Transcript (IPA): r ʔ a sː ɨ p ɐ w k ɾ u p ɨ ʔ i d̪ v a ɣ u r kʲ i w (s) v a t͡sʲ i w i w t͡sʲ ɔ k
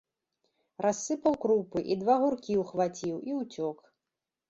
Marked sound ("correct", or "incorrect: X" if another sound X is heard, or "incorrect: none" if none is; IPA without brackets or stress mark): incorrect: x